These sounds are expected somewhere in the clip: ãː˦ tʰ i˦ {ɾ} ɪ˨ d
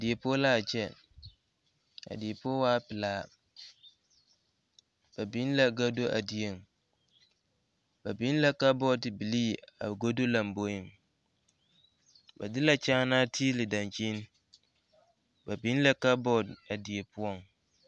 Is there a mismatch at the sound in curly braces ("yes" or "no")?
yes